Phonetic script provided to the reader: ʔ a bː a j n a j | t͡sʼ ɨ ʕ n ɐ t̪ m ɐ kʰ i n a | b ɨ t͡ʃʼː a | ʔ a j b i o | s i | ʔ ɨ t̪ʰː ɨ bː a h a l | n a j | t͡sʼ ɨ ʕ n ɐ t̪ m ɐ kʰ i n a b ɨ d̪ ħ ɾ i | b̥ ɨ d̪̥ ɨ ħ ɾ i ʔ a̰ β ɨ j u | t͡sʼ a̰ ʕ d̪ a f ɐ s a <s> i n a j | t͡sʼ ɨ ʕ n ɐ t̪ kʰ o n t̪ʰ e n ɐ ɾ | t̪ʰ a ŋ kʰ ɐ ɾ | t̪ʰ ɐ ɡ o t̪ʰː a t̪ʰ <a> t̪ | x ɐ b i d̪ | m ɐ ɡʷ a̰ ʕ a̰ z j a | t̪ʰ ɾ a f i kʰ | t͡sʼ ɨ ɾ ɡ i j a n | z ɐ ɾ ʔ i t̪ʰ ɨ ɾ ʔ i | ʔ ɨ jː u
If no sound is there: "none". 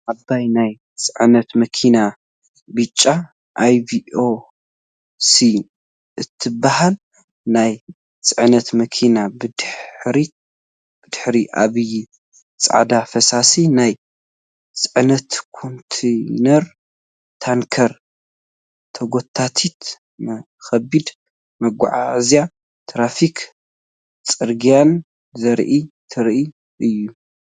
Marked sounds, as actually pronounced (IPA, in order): s, i

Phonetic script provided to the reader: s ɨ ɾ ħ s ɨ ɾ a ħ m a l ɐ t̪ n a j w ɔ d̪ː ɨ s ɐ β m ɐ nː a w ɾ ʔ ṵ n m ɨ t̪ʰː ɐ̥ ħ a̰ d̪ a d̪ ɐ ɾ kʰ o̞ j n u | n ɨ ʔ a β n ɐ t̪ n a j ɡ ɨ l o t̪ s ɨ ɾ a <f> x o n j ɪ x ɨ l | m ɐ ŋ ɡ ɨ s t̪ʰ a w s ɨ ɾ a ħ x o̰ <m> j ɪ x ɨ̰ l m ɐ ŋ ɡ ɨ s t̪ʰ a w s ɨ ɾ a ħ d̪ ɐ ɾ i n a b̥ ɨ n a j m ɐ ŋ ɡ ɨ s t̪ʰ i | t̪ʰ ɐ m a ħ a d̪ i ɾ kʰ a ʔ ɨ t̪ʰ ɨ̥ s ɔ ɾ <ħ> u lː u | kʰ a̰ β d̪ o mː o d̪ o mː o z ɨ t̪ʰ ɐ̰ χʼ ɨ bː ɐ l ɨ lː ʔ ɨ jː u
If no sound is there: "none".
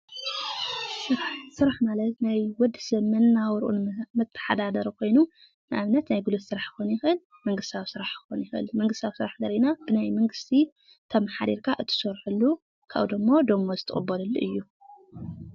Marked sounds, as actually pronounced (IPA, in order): ħ, n, ħ

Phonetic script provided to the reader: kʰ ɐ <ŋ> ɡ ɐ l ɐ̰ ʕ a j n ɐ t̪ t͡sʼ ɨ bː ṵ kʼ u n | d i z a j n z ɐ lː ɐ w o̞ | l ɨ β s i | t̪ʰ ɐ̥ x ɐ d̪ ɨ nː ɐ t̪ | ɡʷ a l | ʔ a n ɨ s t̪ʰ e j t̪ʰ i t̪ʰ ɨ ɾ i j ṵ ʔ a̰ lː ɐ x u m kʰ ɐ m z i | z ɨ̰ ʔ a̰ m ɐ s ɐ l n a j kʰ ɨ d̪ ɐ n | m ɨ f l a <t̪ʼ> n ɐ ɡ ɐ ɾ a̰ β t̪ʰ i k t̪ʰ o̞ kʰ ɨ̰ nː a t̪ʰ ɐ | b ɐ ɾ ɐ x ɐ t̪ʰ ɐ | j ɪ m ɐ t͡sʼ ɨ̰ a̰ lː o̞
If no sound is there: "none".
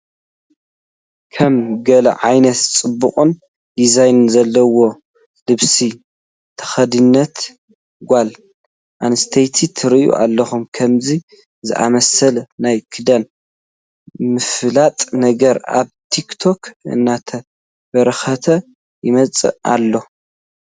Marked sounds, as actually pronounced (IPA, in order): m, t̪ʼ

